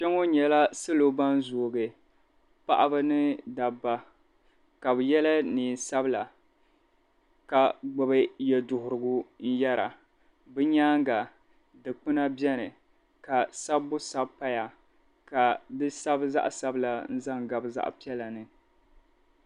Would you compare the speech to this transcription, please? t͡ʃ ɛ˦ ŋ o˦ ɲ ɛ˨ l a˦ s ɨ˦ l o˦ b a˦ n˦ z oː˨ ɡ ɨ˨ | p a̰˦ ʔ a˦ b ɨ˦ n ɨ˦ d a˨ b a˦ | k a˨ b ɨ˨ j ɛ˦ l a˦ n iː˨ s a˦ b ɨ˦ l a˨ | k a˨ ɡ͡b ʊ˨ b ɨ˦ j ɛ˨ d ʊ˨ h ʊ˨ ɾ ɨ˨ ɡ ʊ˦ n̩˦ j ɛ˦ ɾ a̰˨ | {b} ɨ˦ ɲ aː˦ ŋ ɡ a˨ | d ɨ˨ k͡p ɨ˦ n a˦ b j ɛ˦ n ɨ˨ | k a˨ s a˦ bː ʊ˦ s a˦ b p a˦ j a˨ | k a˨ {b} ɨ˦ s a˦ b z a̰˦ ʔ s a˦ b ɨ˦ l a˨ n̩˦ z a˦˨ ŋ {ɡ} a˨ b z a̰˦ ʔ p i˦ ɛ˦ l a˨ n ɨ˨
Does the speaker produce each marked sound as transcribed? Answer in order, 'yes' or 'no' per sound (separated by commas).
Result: yes, no, yes